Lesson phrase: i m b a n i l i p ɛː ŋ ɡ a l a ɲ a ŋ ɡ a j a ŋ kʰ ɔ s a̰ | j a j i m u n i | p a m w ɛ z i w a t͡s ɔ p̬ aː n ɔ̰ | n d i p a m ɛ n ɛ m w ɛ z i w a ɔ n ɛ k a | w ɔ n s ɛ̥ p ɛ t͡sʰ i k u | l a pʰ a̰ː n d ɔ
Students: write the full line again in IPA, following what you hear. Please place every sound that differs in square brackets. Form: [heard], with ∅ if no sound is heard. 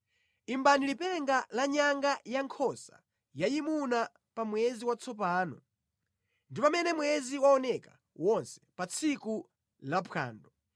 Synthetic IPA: i m b a n i l i p [ɛ] ŋ ɡ a l a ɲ a ŋ ɡ a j a ŋ kʰ ɔ s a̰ | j a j i m u n [a] | p a m w ɛ z i w a t͡s ɔ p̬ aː n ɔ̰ | n d i p a m ɛ n ɛ m w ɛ z i w a ɔ n ɛ k a | w ɔ n s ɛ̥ p [a] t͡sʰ i k u | l a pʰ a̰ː n d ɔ

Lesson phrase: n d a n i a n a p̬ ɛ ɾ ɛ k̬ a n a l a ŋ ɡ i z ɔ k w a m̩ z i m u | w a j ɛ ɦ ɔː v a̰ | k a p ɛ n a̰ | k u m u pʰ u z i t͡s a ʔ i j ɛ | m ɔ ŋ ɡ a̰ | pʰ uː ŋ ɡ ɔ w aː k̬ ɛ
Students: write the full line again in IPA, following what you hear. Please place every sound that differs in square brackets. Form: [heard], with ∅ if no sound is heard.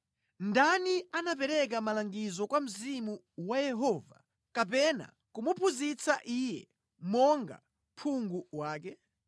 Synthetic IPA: n d a n i a n a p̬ ɛ ɾ ɛ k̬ a [m] a l a ŋ ɡ i z ɔ k w a m̩ z i m u | w a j ɛ ɦ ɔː v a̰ | k a p ɛ n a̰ | k u m u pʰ u z i t͡s a ʔ i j ɛ | m ɔ ŋ ɡ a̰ | pʰ [u] ŋ ɡ [u] w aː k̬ ɛ

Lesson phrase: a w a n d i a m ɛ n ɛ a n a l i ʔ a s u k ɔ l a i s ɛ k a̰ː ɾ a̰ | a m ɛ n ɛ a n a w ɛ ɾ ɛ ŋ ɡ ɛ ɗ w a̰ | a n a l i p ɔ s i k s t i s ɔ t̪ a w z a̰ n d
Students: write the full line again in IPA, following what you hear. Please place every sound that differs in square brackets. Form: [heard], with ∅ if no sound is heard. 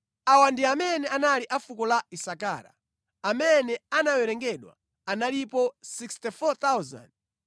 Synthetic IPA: a w a n d i a m ɛ n ɛ a n a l i ʔ a [f] u k ɔ l a i s [a] k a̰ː ɾ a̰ | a m ɛ n ɛ a n a w ɛ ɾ ɛ ŋ ɡ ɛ ɗ w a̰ | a n a l i p ɔ s i k s t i [f] ɔ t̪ a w z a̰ n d

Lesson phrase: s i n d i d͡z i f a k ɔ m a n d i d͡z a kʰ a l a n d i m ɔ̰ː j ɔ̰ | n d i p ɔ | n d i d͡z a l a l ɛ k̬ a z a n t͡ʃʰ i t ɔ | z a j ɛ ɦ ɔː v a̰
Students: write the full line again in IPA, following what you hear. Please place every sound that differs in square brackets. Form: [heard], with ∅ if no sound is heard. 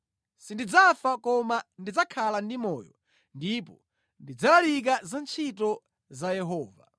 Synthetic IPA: s i n d i d͡z [a] f a k ɔ m a n d i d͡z a kʰ a l a n d i m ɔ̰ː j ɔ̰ | n d i p ɔ | n d i d͡z a l a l [i] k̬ a z a n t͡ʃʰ i t ɔ | z a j ɛ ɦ ɔː v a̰

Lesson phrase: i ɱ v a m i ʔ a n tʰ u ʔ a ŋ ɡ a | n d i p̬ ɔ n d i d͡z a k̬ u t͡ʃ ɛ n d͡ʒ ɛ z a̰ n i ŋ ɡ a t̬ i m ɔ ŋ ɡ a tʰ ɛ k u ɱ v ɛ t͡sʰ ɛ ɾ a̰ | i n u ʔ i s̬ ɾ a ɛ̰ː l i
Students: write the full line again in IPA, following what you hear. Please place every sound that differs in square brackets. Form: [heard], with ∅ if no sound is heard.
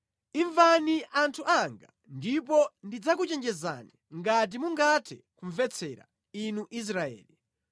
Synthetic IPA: i ɱ v a [n] i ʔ a n tʰ u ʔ a ŋ ɡ a | n d i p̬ ɔ n d i d͡z a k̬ u t͡ʃ ɛ n d͡ʒ ɛ z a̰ n i ŋ ɡ a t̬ i m [u] ŋ ɡ a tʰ ɛ k u ɱ v ɛ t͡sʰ ɛ ɾ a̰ | i n u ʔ i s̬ ɾ a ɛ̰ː l i

